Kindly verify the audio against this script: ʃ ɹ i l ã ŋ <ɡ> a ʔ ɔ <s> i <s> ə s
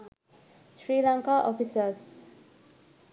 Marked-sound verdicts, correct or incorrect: incorrect: k, incorrect: f, correct

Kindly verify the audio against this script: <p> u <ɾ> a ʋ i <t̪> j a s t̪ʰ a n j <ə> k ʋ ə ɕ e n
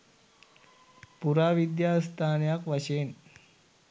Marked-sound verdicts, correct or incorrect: correct, correct, incorrect: d̪, incorrect: a

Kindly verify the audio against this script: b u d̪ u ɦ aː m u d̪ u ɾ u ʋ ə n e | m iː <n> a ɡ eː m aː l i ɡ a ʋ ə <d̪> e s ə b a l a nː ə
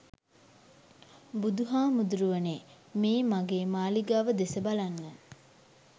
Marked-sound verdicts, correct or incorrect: incorrect: m, correct

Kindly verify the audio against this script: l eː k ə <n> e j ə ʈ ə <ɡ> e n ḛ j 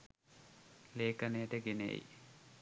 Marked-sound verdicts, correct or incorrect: correct, correct

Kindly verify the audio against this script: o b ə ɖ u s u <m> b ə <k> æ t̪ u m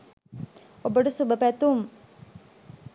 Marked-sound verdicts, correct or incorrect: incorrect: none, incorrect: p

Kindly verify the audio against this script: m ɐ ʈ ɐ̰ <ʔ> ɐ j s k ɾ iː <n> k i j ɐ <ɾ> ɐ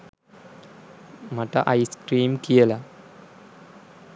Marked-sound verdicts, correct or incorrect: correct, incorrect: m, incorrect: l

